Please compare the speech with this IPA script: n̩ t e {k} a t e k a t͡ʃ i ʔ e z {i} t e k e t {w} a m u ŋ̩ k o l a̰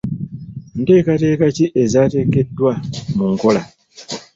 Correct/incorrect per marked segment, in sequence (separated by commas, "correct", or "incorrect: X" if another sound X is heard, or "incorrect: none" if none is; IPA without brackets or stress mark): correct, incorrect: a, correct